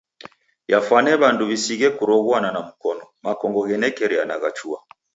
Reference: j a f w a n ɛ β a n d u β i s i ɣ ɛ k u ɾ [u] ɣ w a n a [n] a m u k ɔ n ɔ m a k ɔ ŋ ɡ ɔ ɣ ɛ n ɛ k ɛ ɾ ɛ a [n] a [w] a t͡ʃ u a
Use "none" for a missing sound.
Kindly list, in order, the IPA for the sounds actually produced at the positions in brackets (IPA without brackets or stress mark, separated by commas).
ɔ, n, n, ɣ